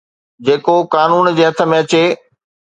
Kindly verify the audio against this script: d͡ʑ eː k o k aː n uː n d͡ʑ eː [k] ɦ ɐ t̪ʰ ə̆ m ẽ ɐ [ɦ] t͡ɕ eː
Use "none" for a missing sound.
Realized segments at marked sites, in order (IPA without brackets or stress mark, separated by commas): none, none